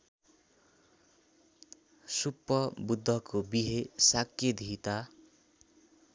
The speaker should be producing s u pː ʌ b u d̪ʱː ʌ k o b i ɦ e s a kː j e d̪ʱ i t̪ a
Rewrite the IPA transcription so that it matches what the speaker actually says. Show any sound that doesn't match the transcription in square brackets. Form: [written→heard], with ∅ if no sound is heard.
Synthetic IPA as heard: s u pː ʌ b u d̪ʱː ʌ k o b i ɦ e s a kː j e d̪ʱ i t̪ a